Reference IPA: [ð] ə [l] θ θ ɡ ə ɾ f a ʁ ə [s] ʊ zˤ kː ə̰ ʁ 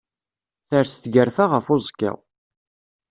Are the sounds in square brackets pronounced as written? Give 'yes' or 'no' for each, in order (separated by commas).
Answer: no, no, no